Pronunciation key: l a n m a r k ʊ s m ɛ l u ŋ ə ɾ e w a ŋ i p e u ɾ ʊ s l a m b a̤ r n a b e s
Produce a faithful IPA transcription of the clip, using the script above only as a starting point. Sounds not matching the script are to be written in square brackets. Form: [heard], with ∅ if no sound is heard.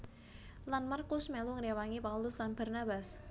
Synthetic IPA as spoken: l a n m a r k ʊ s m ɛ l u ŋ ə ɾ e w a ŋ i p [a] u [l] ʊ s l a [n] b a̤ r n a b [a] s